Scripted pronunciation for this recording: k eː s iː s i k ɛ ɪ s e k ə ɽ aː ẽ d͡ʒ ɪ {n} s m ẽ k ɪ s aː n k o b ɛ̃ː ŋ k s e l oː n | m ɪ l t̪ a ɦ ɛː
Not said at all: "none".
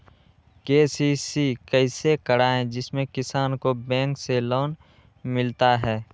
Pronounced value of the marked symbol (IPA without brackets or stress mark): none